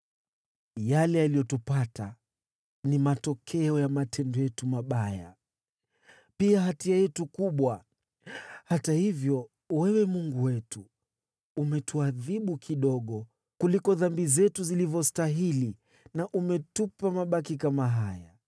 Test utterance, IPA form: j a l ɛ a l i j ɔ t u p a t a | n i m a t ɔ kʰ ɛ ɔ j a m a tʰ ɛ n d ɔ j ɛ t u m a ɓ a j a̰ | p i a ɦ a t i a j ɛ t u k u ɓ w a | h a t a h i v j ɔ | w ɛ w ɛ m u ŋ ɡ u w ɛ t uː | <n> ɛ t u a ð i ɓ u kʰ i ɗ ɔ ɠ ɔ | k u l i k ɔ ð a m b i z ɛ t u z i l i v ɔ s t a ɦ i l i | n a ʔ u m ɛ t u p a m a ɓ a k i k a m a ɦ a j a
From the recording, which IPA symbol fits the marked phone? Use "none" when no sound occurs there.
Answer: m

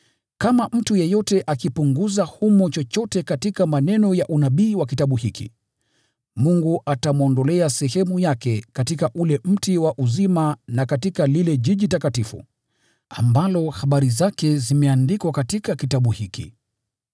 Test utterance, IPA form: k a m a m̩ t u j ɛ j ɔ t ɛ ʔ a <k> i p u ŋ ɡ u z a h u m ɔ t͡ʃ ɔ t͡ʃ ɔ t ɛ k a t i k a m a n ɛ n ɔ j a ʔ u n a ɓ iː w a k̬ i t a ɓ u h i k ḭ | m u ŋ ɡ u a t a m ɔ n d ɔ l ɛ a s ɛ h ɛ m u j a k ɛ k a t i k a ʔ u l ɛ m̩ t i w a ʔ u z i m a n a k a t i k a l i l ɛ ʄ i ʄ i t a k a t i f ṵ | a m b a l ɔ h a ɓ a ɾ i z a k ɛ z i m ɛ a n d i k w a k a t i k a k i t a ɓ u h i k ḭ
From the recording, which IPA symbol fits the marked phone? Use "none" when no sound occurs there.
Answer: k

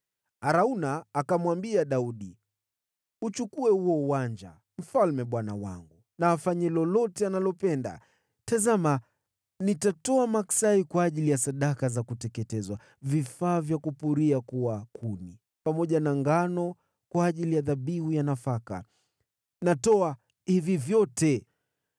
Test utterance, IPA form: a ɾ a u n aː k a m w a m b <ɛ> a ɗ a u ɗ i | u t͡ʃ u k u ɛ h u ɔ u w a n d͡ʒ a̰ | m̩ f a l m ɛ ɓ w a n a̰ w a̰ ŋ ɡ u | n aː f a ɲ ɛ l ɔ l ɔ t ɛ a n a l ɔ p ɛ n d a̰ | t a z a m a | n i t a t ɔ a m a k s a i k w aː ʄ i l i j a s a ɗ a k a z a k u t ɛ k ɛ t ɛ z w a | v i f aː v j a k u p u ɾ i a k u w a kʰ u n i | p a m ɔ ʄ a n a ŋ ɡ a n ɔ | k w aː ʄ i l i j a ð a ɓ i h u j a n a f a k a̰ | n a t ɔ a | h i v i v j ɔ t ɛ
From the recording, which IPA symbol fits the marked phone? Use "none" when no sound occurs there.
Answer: i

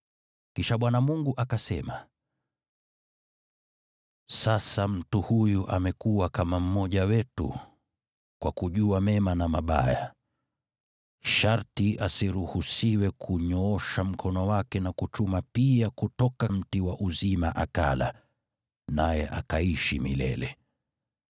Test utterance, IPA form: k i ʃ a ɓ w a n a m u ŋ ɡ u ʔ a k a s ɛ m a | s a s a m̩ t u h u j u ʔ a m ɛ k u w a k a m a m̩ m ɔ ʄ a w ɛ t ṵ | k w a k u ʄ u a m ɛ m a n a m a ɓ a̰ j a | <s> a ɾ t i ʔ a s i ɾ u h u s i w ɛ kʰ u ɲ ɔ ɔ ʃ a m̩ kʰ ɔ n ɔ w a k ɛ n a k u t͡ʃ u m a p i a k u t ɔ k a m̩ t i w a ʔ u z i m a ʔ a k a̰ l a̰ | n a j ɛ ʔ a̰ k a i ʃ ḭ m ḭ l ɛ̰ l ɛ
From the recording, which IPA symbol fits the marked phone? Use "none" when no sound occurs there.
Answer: ʃ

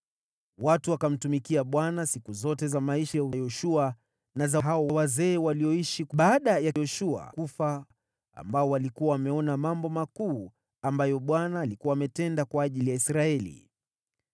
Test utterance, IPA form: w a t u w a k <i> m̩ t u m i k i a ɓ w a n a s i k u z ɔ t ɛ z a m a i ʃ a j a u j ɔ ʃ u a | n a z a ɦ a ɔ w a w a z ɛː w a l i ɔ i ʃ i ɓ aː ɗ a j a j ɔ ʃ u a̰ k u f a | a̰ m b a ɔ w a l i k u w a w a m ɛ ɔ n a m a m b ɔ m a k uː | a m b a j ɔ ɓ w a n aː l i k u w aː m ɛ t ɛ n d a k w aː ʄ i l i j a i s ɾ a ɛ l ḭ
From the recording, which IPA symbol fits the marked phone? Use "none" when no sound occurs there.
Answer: a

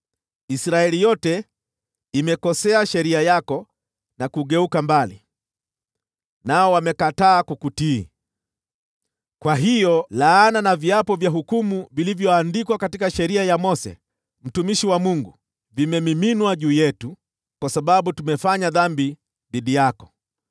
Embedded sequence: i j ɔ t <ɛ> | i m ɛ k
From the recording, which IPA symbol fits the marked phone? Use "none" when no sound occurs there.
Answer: ɛ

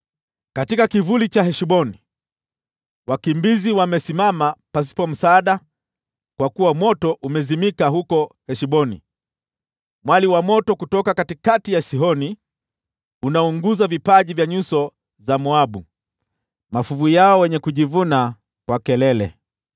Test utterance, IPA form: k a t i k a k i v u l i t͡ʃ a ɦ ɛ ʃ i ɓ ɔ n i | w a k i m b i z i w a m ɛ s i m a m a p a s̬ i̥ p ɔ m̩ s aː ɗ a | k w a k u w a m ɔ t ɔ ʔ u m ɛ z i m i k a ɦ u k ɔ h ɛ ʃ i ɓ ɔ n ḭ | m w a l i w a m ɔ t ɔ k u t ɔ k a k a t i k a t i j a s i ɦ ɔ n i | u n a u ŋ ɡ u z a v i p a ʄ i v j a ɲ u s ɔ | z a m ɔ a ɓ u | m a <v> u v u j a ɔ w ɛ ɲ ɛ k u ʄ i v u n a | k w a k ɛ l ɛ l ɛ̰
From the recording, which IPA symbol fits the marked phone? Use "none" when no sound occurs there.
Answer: f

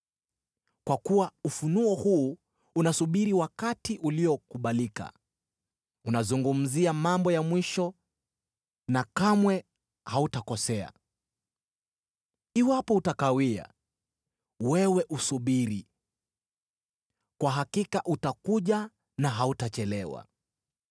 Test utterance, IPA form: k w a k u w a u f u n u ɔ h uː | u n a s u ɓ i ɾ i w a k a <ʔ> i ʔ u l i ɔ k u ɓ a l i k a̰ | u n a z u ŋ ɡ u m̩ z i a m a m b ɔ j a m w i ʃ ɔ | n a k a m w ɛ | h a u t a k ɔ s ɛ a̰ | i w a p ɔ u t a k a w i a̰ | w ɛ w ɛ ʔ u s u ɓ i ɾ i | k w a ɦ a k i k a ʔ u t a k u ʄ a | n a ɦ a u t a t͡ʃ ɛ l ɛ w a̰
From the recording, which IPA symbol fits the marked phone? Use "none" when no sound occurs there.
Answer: t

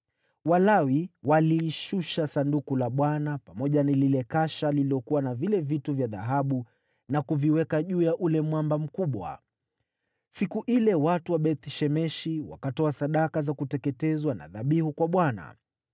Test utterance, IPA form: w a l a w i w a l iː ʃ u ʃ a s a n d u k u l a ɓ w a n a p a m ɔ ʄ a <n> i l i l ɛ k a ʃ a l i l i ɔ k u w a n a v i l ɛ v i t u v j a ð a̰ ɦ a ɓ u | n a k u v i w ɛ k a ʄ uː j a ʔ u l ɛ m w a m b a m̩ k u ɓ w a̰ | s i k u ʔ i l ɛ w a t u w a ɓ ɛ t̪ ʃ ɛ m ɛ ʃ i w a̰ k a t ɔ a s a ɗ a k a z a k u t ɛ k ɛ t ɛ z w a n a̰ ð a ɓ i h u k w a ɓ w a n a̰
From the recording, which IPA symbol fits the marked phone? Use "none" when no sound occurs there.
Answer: n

